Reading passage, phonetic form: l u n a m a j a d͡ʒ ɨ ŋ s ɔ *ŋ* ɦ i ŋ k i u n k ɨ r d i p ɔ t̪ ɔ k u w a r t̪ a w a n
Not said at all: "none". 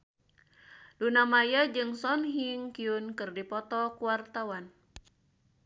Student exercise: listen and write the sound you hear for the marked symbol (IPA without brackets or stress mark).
n